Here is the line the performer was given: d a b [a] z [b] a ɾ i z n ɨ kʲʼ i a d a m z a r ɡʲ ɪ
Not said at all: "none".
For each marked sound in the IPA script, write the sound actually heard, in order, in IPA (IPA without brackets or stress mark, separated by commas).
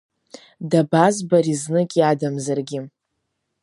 a, b